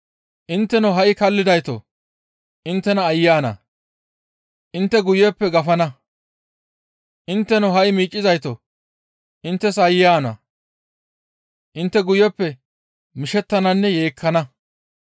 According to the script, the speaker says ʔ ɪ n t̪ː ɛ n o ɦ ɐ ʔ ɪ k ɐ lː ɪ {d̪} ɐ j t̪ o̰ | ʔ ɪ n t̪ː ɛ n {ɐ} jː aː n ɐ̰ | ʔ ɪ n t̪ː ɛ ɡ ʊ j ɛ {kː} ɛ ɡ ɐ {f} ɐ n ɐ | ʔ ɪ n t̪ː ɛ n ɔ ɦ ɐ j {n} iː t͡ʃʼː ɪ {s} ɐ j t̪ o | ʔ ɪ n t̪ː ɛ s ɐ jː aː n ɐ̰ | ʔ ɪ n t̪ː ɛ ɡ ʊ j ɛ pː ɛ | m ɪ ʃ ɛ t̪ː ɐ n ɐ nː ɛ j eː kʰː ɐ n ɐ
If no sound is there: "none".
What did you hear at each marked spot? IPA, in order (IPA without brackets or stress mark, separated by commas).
d̪, ɐː, pː, f, m, z